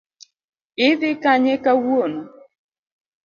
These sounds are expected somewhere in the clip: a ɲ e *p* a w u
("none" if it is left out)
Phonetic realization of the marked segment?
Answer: k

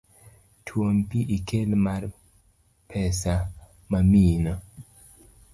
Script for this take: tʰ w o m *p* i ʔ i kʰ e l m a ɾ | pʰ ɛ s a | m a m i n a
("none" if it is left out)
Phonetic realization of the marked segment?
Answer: p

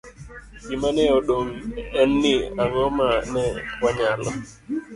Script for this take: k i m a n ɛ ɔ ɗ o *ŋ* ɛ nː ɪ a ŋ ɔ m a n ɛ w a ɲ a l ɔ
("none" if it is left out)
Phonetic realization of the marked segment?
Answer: ŋ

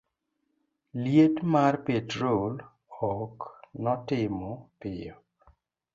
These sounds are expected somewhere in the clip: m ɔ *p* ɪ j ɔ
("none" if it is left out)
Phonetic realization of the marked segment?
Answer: p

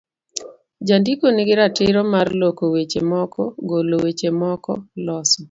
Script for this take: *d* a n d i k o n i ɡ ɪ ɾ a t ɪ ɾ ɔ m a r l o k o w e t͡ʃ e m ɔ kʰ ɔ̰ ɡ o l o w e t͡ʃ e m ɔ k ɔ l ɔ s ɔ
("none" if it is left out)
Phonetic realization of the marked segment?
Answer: d͡ʒ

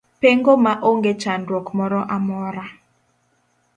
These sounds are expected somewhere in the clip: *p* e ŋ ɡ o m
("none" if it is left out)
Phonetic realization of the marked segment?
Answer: p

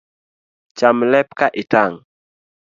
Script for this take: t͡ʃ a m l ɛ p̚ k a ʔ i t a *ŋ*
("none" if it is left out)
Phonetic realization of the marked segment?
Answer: ŋ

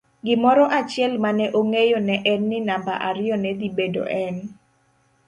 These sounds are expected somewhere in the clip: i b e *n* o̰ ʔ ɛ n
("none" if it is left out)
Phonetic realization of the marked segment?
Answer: d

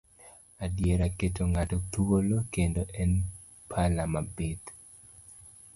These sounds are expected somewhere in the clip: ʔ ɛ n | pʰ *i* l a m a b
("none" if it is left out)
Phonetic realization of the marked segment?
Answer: a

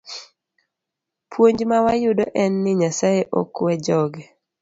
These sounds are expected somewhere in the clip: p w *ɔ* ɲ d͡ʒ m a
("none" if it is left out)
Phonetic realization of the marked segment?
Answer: o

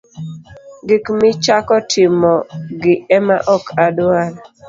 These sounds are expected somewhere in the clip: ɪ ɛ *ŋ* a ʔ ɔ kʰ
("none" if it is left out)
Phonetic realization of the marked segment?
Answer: m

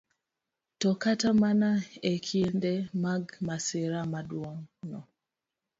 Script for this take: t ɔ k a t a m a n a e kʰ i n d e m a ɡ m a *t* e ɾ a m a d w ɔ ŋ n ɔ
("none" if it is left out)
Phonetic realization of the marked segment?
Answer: s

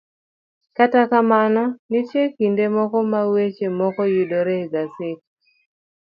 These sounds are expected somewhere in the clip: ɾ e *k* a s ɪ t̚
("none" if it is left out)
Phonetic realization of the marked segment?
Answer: ɡ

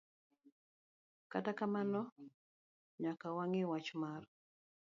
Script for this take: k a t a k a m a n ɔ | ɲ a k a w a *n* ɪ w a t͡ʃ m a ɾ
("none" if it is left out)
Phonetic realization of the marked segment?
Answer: ŋ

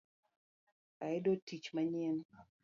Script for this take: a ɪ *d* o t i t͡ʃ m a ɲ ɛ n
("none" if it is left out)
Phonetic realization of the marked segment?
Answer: d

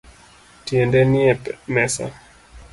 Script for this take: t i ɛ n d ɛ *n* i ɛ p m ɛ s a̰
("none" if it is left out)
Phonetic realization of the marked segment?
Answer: n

